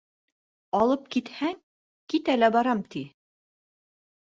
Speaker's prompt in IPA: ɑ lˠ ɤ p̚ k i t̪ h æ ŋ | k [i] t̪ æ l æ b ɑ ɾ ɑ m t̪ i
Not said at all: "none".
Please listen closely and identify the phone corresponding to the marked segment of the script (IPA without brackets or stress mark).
i